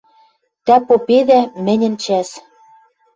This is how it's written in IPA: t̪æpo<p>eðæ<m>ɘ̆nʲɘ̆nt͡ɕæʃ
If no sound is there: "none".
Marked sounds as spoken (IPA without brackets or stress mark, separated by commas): p, m